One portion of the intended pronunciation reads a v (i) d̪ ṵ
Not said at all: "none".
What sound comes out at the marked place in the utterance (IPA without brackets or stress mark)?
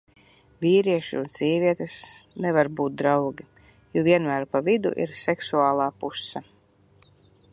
i